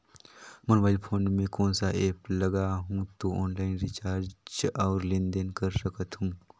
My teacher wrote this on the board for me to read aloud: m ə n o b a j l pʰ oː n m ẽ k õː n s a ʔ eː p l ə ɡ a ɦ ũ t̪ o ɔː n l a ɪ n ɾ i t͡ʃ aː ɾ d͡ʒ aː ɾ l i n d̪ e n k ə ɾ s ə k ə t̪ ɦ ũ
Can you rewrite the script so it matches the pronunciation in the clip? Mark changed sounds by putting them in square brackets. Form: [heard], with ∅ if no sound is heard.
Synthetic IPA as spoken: m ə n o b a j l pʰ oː n m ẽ k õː n s a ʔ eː p l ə ɡ a ɦ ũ t̪ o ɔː n l a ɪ n ɾ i t͡ʃ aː ɾ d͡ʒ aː ɾ l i n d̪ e n k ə ɾ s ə k ə t̪ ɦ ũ